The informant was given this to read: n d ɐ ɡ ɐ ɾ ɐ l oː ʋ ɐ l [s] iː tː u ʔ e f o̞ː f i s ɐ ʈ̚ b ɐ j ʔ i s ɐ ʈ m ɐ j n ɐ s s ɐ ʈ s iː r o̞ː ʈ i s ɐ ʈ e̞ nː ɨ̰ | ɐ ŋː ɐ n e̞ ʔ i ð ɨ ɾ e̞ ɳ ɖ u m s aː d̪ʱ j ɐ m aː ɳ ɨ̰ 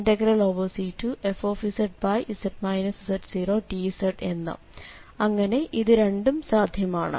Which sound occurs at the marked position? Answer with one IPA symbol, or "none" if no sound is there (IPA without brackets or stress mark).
s